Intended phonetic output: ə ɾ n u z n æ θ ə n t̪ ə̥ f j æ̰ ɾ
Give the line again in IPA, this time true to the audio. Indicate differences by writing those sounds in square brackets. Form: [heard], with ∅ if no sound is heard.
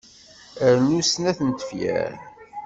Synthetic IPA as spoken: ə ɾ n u [s] n æ θ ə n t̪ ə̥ f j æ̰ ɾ